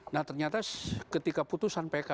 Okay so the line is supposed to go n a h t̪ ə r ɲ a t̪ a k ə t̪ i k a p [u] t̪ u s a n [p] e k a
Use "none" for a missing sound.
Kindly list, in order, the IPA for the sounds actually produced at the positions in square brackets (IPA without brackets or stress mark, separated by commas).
u, p